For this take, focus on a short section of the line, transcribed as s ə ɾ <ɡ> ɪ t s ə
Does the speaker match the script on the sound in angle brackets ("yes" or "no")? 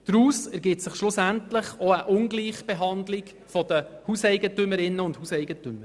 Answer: yes